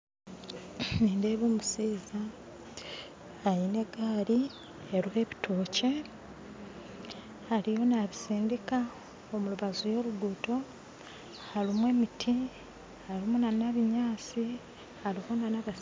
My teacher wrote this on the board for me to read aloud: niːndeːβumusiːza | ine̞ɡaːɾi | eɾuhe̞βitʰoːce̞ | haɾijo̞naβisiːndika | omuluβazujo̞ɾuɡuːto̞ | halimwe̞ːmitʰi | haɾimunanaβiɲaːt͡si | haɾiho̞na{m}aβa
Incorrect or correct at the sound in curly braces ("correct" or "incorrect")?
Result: incorrect